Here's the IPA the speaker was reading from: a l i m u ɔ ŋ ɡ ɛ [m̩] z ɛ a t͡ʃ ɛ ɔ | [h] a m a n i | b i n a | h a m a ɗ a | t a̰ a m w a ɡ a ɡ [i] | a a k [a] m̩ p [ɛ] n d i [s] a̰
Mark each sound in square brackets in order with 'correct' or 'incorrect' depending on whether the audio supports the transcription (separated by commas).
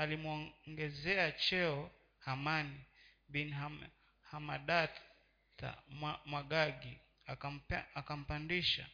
incorrect, correct, correct, correct, incorrect, incorrect